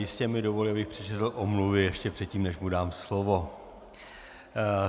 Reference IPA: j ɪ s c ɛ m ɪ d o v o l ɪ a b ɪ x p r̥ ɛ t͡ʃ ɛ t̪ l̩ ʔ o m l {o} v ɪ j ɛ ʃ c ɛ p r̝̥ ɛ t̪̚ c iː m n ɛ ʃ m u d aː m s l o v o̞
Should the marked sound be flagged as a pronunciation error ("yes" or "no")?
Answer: yes